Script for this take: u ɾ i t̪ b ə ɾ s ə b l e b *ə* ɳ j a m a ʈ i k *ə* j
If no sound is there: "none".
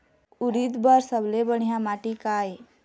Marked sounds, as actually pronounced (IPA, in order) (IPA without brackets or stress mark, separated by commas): ə, a